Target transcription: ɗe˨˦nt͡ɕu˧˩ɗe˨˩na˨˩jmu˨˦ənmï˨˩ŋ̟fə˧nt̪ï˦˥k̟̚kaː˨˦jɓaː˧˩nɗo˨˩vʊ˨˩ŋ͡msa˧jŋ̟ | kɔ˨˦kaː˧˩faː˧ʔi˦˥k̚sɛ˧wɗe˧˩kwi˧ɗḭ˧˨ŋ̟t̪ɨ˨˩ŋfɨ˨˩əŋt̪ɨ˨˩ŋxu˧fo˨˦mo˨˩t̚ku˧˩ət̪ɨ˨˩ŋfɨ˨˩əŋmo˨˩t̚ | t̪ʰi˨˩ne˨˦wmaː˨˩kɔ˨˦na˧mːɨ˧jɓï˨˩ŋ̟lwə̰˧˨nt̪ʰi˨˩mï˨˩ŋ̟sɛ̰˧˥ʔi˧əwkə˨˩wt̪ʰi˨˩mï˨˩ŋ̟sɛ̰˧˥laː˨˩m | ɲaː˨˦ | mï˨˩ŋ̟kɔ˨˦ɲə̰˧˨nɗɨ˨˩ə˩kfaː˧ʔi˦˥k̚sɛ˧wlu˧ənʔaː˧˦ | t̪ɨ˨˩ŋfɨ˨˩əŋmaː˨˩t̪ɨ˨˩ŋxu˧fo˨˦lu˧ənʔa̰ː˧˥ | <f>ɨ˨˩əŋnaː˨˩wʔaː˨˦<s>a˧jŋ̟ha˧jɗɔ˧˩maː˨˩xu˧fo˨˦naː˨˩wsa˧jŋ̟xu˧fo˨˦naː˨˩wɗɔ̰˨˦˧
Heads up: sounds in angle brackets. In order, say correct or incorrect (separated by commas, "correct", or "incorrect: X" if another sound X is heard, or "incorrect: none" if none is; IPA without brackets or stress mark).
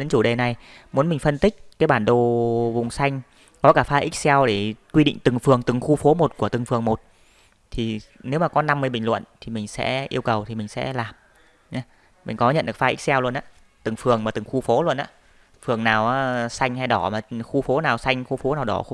correct, correct